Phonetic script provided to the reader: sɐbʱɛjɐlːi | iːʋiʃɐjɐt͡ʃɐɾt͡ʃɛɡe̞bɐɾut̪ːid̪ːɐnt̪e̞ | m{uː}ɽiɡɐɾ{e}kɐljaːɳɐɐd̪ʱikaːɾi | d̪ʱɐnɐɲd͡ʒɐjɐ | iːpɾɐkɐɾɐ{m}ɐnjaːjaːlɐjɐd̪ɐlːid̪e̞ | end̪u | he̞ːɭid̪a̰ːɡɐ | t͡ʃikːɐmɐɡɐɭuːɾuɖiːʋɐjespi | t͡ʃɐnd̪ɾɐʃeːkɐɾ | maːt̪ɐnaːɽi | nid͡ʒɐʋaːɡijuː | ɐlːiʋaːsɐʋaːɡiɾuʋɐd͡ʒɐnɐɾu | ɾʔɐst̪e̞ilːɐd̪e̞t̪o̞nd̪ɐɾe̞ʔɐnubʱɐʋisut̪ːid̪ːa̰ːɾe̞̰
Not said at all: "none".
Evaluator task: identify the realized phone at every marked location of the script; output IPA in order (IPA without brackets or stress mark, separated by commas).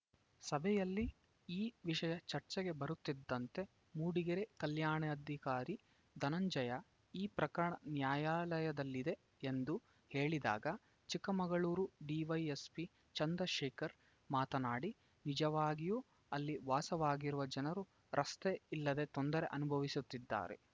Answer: uː, e, ɳ